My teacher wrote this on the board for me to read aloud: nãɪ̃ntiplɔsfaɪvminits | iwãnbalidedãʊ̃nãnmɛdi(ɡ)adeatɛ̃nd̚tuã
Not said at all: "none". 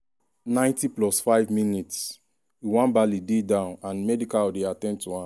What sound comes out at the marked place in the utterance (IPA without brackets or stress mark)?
k